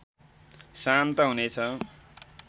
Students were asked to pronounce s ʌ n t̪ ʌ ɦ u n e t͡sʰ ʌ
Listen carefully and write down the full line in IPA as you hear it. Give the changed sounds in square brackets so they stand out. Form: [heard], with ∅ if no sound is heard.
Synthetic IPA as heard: s [a] n t̪ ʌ ɦ u n e t͡sʰ ʌ